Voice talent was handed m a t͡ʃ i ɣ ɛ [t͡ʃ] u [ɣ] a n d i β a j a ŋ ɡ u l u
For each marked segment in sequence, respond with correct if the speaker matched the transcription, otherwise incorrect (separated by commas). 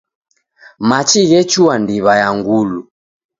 correct, incorrect